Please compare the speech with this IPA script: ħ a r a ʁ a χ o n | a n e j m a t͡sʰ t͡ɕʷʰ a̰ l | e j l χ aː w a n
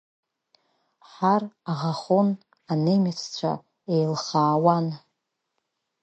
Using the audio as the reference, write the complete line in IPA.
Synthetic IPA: ħ a r a ʁ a χ o n | a n e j m a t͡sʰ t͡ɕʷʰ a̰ | e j l χ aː w a n

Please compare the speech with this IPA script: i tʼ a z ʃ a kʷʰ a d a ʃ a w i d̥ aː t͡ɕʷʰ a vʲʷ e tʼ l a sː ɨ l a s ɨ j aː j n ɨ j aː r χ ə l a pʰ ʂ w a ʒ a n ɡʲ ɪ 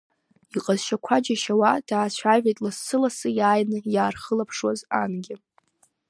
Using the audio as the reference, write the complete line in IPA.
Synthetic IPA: i qʼ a z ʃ a kʷʰ a d͡ʒ a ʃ a w a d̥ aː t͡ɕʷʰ a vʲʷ e tʼ l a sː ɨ l a s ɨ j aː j n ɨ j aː r χ ə l a pʰ ʂ w a z a n ɡʲ ɪ

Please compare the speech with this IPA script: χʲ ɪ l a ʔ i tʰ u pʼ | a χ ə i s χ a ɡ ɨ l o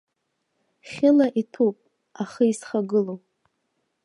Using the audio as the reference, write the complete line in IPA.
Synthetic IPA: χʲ ɪ l a ʔ i tʰ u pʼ | a χ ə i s χ a ɡ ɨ l o

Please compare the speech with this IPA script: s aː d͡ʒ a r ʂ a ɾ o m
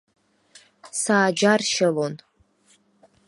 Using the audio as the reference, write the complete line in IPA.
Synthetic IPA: s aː d͡ʒ a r ʃ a l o n

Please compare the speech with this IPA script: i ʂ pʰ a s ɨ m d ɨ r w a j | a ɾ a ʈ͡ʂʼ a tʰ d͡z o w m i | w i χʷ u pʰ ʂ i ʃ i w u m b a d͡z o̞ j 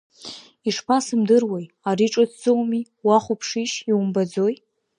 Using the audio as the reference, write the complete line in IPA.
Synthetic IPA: i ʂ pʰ a s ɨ m d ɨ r w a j | a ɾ i ʈ͡ʂʼ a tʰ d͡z o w m i | w a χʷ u pʰ ʂ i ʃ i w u m b a d͡z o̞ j

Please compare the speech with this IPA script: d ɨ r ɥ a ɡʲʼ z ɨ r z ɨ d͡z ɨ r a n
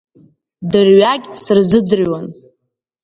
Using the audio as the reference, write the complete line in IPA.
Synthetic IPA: d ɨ r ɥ a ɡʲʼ s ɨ r z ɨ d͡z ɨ r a n

